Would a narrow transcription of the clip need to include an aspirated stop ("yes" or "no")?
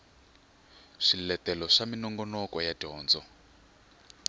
no